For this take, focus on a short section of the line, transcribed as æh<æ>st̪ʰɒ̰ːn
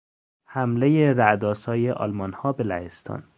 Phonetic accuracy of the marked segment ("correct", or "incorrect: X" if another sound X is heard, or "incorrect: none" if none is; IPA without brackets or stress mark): incorrect: e